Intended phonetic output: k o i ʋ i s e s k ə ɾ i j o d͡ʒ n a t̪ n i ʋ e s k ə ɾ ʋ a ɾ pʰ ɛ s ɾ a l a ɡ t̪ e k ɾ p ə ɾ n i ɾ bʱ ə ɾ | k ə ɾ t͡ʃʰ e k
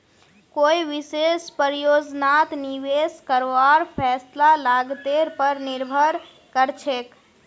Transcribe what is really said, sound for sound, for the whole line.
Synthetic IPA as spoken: k o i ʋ i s e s p ə ɾ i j o d͡ʒ n a t̪ n i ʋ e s k ə ɾ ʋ a ɾ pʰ ɛ s l a l a ɡ t̪ e ɾ p ə ɾ n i ɾ bʱ ə ɾ | k ə ɾ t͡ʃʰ e k